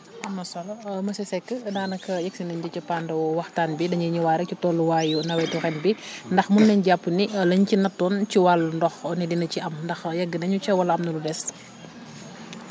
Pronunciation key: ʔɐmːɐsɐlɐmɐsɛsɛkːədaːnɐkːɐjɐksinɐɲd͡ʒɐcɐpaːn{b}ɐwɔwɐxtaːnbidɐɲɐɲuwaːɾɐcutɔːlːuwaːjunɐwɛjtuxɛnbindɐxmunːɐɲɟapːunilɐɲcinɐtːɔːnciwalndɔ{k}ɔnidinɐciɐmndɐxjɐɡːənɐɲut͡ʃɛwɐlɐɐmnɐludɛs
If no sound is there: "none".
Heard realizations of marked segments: d, x

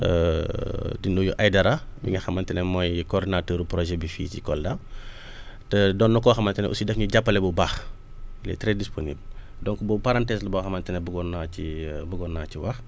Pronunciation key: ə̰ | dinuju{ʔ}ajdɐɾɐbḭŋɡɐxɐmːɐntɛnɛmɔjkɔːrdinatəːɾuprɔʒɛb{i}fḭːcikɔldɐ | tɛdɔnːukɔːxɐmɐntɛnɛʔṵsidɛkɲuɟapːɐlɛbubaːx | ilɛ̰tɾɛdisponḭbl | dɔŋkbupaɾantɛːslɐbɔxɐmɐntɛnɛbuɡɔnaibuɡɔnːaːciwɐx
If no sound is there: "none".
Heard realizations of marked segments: ʔ, i

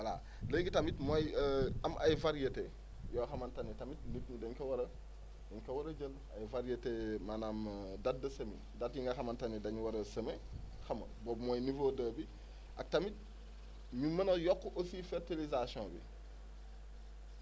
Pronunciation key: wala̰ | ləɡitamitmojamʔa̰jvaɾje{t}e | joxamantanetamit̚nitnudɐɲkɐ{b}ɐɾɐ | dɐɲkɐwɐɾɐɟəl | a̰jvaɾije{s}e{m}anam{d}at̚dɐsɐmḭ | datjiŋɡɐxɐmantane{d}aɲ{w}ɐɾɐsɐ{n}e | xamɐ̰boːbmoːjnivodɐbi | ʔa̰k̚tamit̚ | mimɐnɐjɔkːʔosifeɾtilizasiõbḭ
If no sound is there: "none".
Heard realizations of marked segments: t, w, t, m, d, d, w, m

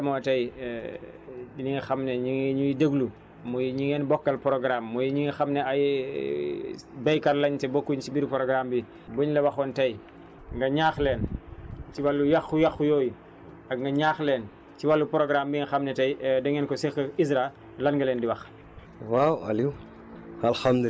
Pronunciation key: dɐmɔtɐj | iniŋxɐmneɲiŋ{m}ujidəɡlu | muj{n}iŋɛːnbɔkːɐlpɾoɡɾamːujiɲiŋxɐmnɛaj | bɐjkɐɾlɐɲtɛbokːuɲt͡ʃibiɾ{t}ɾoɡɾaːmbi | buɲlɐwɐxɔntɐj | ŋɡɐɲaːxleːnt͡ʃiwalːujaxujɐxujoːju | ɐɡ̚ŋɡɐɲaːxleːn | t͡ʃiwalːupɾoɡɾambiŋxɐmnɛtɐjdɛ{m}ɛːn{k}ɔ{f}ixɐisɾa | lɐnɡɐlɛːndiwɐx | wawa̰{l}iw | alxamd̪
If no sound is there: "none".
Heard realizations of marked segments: ɲ, ɲ, p, ŋ, k, s, l

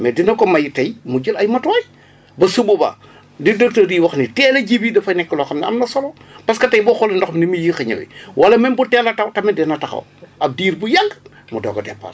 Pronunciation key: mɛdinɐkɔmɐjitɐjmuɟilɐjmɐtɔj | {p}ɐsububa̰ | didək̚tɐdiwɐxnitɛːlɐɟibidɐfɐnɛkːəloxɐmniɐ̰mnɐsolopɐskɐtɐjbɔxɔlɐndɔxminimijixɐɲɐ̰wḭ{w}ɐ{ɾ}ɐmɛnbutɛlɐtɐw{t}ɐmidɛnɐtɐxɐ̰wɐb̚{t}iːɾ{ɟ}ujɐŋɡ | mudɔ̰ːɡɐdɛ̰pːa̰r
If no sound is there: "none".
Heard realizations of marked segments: b, w, l, t, d, b

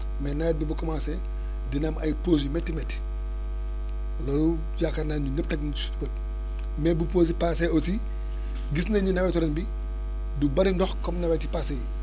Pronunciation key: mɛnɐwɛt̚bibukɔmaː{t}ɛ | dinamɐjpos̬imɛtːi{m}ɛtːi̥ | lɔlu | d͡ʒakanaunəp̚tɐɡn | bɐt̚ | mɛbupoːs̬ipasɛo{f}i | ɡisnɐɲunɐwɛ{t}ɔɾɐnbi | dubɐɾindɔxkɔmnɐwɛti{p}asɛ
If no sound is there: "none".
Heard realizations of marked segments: s, m, s, t, p

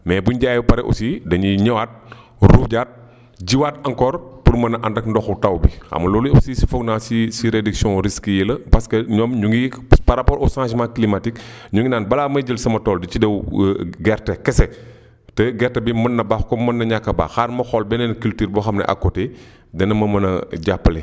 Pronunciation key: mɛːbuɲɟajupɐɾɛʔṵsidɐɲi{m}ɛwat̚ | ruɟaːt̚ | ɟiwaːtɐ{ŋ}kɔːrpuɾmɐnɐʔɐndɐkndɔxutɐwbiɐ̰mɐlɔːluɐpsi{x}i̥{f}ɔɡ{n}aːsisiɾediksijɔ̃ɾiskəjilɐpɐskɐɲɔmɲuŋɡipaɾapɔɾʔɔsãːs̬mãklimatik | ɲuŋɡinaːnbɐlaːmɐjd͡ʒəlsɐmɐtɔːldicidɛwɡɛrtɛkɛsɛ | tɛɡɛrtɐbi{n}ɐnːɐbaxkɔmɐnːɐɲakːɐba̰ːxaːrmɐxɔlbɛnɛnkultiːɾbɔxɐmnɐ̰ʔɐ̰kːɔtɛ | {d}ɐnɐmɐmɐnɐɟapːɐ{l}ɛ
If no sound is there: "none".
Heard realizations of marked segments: ɲ, ŋ, s, f, n, m, d, l

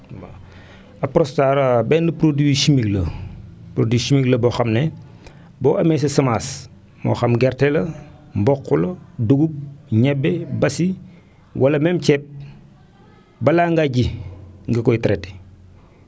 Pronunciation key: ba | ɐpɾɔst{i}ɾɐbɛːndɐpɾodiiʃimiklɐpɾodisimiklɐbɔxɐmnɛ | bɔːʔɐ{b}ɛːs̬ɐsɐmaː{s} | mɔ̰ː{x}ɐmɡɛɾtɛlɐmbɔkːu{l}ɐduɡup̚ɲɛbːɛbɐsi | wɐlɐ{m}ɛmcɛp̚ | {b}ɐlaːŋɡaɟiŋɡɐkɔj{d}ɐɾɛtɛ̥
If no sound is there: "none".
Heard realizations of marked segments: a, m, s, x, l, m, b, t

